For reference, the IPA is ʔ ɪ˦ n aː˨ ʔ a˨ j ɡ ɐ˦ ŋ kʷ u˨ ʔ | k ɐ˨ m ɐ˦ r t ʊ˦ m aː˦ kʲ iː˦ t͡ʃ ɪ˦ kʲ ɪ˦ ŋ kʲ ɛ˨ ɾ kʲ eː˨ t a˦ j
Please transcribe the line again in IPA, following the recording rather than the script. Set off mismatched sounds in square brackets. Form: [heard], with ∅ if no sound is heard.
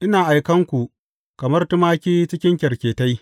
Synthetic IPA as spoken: ʔ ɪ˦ n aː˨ ʔ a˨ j [k] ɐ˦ ŋ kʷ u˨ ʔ | k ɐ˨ m ɐ˦ r t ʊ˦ m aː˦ kʲ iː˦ t͡ʃ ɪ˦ kʲ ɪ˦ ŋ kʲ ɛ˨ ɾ kʲ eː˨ t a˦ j

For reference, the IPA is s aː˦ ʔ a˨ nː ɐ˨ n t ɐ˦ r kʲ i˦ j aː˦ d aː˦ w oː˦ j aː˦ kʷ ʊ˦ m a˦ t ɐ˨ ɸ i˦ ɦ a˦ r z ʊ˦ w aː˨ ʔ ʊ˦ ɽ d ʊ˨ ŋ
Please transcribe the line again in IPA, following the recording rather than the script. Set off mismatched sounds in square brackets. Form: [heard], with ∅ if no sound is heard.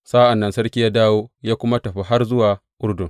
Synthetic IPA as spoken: s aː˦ ʔ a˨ nː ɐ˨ n [s] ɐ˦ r kʲ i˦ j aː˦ d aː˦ w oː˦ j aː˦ kʷ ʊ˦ m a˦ t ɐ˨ ɸ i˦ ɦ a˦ r z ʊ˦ w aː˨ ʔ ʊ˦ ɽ d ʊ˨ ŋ

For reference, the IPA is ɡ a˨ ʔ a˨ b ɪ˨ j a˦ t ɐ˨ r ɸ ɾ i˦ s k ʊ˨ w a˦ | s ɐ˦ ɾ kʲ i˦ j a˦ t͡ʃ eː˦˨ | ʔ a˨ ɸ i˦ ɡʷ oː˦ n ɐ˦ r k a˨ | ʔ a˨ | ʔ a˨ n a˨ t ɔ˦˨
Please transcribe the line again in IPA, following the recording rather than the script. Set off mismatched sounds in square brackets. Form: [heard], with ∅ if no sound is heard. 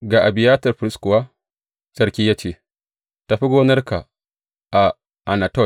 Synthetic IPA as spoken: ɡ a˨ ʔ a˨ b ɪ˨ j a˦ t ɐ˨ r ɸ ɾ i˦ s k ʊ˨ w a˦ | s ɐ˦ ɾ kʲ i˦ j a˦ t͡ʃ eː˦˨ | [t] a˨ ɸ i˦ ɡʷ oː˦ n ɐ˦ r k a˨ | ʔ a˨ | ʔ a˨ n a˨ t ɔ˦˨

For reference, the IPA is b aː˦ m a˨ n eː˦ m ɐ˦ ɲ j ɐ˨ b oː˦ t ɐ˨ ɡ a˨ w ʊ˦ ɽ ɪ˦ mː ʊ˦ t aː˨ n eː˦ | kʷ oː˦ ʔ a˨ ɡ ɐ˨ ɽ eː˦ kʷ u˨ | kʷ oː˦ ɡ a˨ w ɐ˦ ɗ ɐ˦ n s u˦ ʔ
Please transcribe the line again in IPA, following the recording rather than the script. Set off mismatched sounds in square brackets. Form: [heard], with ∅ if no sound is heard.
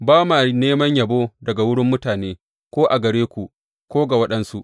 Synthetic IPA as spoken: b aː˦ m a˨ n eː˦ m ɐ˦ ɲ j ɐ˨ b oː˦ [d] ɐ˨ ɡ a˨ w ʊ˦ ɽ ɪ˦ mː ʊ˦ t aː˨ n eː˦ | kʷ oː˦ ʔ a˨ ɡ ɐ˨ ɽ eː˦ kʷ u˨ | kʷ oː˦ ɡ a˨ w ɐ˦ ɗ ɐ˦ n s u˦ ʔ

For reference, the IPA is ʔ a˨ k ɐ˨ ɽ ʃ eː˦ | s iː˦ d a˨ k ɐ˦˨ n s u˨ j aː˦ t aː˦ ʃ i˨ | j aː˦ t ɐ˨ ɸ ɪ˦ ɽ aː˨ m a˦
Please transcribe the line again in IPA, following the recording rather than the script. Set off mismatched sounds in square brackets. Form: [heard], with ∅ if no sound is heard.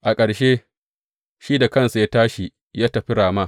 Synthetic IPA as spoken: ʔ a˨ [kʼ] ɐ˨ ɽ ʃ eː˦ | [ʃ] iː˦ d a˨ k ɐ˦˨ n s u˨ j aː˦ t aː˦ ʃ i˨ | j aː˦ t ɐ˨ ɸ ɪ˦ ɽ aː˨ m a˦

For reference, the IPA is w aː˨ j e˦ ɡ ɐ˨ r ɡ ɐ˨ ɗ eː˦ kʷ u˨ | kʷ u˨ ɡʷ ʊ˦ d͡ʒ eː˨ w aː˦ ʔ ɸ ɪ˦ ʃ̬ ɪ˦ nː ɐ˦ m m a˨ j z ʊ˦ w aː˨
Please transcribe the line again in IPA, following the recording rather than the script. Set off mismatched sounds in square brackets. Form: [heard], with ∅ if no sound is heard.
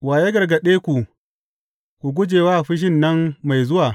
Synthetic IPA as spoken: w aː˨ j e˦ ɡ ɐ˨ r ɡ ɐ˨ ɗ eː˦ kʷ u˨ | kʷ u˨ ɡʷ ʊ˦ d͡ʒ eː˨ w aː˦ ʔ ɸ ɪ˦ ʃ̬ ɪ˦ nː ɐ˦ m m a˨ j z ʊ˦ w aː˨

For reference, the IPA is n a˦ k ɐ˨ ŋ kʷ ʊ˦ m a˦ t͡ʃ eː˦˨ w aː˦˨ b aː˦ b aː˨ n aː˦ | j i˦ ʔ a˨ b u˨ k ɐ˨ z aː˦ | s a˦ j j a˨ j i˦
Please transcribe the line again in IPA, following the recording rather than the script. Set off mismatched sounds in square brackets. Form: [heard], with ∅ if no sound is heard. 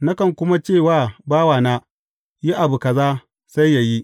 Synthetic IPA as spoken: n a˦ k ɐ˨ ŋ kʷ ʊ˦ m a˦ t͡ʃ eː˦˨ w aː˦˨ b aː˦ [w] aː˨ n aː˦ | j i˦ ʔ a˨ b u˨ k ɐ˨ z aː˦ | s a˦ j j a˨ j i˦

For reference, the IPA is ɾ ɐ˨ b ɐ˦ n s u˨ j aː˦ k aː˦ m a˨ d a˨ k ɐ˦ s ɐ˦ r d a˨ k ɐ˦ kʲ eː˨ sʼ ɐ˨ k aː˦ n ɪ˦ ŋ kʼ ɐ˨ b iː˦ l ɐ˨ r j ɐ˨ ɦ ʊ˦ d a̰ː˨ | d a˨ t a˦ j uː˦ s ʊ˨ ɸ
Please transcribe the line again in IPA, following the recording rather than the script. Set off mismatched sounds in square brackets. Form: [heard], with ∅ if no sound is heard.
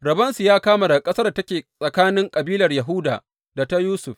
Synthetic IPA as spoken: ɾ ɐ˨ b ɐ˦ n s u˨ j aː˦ k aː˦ m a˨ d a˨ [kʼ] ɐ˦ s ɐ˦ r d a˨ [t] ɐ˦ kʲ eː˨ sʼ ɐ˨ k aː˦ n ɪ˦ ŋ kʼ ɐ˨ b iː˦ l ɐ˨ r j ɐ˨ ɦ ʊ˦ d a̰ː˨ | d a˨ t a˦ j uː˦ s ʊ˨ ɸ

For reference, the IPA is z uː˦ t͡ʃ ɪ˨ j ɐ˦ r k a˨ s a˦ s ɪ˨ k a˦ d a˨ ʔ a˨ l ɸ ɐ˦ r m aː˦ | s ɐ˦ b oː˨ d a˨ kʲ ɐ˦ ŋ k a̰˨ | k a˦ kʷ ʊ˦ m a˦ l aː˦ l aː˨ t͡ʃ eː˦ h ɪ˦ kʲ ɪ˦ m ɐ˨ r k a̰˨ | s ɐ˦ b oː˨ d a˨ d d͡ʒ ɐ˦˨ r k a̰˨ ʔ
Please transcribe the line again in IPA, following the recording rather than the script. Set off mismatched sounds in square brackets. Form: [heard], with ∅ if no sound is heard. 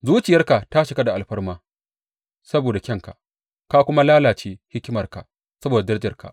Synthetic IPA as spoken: z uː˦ t͡ʃ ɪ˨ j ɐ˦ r k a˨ [t] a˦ [ʃ] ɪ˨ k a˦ d a˨ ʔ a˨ l ɸ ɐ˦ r m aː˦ | s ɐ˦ b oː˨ d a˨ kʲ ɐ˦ ŋ k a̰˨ | k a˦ kʷ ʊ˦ m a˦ l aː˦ l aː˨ t͡ʃ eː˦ h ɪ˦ kʲ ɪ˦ m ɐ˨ r k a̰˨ | s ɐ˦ b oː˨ d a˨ d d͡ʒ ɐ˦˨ r k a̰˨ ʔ

